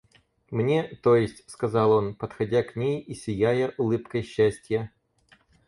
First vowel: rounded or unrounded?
unrounded